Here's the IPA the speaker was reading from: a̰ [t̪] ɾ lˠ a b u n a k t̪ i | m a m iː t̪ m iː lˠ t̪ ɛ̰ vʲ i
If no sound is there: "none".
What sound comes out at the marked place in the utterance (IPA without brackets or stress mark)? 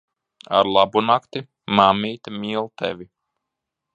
none